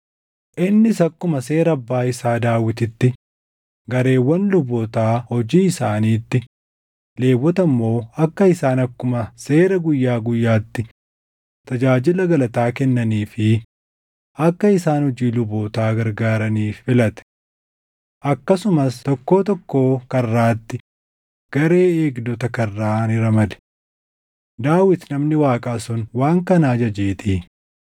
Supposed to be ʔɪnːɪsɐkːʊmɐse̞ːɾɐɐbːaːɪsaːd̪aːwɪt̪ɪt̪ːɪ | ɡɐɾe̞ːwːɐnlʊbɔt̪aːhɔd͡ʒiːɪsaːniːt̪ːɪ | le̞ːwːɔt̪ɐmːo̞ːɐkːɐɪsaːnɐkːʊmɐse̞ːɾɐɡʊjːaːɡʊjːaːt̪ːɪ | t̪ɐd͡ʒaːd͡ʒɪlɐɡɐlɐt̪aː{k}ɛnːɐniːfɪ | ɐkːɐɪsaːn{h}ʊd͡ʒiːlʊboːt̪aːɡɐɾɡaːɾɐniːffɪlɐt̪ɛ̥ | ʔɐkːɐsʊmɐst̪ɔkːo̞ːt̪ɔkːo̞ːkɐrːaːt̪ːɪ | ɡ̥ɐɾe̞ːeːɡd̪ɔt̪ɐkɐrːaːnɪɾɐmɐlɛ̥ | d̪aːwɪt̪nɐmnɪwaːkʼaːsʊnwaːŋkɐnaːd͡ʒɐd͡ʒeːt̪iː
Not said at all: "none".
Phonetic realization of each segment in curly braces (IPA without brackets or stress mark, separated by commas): k, h